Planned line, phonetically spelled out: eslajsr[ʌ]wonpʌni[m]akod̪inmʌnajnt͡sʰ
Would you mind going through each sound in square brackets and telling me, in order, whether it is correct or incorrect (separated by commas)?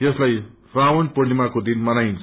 incorrect, correct